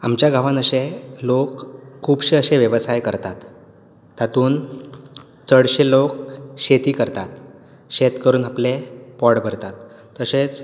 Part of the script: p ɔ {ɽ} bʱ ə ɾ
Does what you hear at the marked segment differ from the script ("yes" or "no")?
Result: no